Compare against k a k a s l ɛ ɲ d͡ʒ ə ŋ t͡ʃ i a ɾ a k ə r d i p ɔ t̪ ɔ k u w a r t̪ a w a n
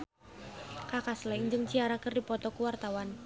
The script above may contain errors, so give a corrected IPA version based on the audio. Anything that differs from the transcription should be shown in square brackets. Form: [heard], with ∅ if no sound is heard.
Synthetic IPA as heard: k a k a s l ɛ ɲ d͡ʒ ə ŋ t͡ʃ i a ɾ a k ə r d i p ɔ t̪ ɔ k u w a r t̪ a w a n